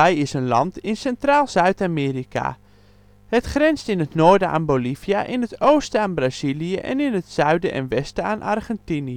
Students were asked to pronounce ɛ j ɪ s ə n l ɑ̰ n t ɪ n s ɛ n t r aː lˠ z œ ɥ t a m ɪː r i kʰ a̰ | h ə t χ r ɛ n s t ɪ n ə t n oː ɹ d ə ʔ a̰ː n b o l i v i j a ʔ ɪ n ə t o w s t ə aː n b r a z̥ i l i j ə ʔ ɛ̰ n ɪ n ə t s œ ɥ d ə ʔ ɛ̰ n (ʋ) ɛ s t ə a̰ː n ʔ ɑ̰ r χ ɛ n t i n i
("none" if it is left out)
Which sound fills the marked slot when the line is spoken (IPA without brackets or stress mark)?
ʋ